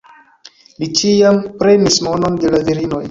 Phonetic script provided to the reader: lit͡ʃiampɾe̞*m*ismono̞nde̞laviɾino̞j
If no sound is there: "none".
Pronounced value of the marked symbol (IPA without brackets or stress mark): n